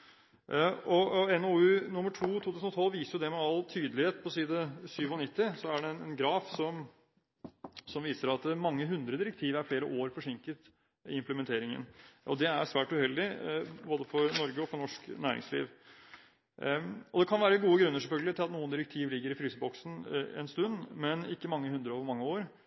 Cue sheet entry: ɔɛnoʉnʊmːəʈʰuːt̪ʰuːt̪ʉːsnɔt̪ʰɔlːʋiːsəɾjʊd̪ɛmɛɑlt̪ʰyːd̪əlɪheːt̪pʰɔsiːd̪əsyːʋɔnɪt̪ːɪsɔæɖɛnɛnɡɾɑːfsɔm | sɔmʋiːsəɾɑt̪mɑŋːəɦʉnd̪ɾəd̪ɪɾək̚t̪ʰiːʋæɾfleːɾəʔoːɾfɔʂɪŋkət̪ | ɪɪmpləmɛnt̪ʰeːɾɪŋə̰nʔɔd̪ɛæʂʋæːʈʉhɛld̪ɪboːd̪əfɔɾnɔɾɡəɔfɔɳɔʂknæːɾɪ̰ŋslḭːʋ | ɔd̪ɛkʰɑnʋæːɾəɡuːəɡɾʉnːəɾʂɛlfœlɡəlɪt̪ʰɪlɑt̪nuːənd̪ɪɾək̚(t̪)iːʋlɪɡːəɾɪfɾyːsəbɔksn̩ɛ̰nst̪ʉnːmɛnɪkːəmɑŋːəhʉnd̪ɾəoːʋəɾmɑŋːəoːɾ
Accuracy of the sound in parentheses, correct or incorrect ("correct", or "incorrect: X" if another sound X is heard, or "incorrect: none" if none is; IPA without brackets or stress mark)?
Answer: incorrect: t̪ʰ